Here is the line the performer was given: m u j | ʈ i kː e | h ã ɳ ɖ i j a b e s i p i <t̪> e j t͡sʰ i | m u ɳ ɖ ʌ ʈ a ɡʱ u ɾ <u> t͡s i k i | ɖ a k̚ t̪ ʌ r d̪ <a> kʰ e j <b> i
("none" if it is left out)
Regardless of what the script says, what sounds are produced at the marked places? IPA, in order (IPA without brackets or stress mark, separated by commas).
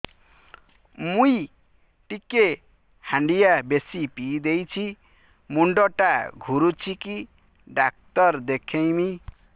d̪, u, e, m